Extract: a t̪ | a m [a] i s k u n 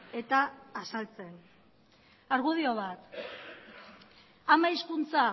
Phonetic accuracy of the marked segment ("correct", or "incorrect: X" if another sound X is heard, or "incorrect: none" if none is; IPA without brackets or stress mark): correct